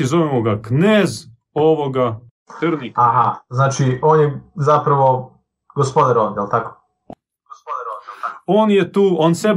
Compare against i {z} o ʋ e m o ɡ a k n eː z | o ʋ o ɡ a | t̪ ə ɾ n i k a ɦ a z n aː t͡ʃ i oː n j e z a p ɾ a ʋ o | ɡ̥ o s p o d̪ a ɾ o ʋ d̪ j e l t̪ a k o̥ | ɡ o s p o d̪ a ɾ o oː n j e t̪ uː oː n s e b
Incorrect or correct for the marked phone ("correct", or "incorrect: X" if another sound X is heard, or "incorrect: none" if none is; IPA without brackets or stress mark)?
correct